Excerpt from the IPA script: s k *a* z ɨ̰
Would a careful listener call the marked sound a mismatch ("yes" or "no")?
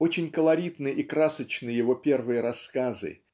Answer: no